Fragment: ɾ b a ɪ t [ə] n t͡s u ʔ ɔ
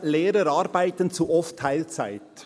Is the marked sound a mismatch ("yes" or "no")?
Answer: no